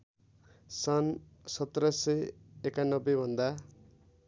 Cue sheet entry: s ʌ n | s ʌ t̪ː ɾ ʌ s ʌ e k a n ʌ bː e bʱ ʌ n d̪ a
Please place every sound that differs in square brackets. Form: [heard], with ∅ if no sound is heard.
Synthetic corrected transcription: s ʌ n | s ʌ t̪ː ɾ ʌ s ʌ e k a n ʌ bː e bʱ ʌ n d̪ a